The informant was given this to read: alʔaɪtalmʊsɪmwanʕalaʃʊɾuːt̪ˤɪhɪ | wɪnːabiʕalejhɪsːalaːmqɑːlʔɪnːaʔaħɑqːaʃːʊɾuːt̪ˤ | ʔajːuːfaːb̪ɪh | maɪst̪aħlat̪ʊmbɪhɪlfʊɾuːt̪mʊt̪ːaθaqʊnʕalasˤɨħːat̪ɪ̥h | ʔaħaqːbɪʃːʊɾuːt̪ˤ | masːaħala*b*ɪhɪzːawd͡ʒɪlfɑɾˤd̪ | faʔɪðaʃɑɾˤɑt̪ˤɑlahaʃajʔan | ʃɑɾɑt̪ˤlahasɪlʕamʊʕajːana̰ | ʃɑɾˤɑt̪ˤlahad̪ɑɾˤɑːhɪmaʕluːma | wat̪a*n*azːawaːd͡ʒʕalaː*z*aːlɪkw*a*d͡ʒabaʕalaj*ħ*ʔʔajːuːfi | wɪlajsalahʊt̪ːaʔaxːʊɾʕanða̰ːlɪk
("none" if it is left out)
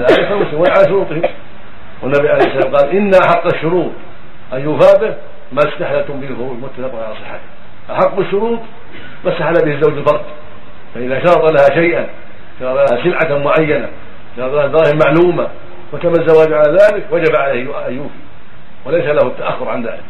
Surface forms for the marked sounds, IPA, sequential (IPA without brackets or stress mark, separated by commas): b, m, ð, a, h